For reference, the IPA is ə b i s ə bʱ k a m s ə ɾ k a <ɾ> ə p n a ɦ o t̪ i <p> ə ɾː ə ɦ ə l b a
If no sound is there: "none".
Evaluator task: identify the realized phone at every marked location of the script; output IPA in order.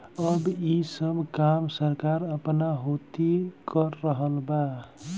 ɾ, k

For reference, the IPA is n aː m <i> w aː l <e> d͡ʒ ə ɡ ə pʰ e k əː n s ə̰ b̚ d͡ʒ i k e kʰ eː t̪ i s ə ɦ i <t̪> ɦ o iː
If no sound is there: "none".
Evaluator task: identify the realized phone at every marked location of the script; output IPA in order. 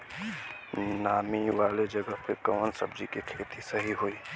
i, e, none

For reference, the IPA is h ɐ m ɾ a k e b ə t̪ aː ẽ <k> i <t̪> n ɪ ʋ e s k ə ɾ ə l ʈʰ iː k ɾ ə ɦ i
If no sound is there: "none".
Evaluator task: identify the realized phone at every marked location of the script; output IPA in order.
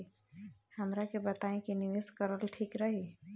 k, none

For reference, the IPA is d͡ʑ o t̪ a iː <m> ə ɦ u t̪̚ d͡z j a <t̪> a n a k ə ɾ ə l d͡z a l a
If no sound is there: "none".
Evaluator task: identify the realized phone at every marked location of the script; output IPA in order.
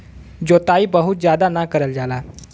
b, d̪

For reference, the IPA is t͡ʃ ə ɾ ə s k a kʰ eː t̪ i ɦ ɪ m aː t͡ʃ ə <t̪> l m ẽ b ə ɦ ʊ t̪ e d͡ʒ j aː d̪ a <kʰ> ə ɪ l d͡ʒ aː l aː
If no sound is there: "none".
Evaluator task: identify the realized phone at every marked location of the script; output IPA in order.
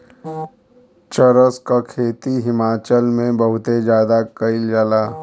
none, k

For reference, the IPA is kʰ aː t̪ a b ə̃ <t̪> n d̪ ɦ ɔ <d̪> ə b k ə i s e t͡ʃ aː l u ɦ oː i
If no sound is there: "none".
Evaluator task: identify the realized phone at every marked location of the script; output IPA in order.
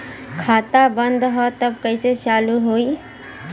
none, t̪

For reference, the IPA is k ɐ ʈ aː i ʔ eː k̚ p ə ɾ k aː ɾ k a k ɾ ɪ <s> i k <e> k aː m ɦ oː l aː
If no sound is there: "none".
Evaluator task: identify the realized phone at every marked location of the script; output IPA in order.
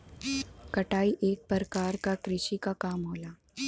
ʃ, a

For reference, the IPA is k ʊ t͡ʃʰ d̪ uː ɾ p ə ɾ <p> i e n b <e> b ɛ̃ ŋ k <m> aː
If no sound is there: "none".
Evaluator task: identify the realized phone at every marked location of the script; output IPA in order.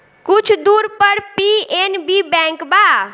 p, i, b

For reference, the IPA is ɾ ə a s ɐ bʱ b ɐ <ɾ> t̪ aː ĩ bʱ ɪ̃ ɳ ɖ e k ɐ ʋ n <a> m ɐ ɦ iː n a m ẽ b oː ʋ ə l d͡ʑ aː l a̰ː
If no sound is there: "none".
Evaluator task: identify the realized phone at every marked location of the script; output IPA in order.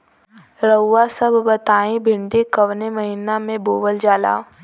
none, e

